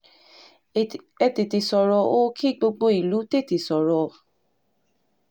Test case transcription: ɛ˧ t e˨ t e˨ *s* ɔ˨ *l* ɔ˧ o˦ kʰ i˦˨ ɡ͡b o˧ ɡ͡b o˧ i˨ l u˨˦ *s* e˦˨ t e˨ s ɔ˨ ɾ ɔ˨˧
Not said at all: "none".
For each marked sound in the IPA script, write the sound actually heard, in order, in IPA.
s, ɾ, t

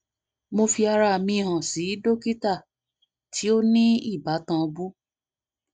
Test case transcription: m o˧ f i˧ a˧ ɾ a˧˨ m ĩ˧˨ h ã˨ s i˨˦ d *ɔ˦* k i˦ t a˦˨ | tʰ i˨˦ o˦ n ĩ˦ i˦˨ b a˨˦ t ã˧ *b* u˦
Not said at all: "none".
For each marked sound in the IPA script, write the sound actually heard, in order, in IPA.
o˦, b

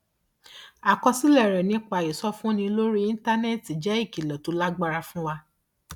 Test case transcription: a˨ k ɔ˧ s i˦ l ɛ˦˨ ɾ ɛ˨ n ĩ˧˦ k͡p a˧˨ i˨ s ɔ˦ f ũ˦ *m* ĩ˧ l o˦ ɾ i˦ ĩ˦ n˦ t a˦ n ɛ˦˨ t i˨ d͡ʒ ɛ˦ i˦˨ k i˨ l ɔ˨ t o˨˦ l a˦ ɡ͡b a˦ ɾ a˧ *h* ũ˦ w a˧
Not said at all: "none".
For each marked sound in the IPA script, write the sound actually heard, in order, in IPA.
n, f

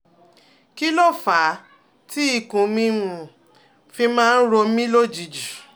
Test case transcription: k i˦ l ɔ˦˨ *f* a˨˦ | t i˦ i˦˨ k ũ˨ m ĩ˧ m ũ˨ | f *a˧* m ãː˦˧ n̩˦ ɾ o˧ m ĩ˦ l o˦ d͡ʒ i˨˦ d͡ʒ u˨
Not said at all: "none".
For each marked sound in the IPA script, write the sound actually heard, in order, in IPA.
f, i˧

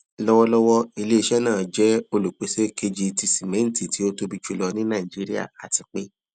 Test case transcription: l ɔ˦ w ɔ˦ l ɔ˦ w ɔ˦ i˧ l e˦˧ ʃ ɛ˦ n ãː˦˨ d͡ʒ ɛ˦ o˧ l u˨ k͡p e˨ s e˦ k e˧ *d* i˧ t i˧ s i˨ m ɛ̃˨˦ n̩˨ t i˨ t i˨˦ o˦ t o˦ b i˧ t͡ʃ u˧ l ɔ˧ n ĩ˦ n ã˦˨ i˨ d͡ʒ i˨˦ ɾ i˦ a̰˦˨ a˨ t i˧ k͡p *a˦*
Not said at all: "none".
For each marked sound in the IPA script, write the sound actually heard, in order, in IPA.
d͡ʒ, e˦

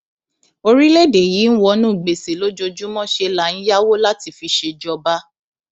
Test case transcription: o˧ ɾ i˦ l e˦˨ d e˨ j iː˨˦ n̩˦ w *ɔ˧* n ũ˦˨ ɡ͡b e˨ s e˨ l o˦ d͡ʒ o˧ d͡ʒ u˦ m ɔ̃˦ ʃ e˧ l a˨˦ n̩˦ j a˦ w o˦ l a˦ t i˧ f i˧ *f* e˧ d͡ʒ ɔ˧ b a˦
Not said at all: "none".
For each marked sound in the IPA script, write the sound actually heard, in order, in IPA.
ɔ˧, ʃ

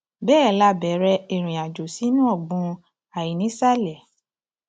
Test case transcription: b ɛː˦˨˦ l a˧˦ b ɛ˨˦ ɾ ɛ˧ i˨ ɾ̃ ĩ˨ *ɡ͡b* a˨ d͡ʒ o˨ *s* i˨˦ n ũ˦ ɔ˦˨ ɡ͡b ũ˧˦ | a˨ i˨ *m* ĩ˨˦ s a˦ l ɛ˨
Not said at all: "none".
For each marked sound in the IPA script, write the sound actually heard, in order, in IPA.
none, s, n

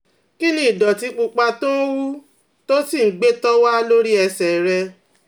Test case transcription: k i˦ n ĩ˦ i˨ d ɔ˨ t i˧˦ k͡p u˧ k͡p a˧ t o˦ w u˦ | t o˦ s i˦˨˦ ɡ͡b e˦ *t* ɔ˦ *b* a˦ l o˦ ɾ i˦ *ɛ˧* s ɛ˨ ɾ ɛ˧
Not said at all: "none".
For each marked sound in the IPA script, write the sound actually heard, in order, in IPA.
t, w, ɛ˧

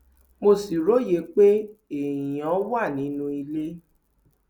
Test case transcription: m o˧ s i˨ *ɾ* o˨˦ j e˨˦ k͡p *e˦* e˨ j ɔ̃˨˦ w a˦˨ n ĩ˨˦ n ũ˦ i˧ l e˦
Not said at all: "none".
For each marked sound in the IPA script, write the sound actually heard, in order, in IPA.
ɾ, e˦

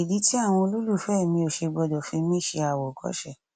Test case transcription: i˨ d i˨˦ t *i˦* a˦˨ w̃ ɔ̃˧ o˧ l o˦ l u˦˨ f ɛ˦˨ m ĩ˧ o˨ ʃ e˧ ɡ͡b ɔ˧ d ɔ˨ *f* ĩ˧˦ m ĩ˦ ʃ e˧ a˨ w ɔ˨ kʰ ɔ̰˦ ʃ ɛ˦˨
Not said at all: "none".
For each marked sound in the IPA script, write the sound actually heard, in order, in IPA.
i˦, f

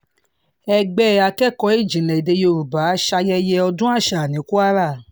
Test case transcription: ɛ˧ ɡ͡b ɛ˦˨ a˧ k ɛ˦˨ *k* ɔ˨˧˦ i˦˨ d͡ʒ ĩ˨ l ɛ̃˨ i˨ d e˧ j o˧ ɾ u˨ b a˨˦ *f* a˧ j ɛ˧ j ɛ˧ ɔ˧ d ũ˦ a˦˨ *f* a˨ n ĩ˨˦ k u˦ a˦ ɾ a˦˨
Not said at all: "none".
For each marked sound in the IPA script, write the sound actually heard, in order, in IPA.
k, ʃ, ʃ

